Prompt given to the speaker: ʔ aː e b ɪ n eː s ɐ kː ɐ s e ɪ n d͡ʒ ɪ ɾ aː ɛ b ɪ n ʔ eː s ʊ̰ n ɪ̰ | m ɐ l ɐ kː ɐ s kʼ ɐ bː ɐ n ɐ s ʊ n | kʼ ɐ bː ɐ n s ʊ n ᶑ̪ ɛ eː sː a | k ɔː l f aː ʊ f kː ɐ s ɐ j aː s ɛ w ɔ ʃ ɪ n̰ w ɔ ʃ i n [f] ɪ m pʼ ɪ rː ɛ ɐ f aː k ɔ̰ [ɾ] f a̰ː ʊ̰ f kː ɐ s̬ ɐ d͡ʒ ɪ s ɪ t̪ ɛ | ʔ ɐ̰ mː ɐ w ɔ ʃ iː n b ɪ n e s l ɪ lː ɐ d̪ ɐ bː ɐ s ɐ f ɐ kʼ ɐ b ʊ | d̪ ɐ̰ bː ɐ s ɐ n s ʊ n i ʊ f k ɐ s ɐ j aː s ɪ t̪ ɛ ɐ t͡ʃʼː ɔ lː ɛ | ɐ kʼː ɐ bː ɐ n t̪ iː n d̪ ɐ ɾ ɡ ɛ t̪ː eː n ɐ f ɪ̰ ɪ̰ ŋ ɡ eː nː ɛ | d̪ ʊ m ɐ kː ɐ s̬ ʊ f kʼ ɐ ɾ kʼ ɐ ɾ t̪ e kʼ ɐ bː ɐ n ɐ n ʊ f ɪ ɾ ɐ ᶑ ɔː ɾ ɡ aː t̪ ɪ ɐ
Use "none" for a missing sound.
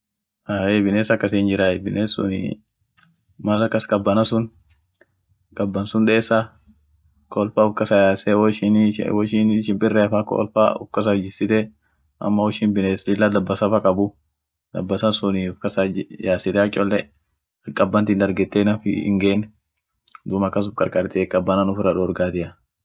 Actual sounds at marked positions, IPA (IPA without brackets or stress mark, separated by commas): ʃ, l